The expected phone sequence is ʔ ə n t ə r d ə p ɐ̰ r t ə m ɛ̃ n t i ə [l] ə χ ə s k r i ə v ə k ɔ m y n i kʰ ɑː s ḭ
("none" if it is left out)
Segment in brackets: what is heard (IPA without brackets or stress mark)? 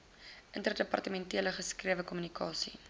l